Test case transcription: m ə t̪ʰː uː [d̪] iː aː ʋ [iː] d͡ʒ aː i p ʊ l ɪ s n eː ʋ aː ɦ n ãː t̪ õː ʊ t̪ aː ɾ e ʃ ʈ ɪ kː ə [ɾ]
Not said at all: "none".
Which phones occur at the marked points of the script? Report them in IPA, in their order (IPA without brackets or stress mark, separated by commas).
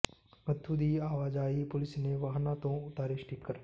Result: d̪, aː, ɾ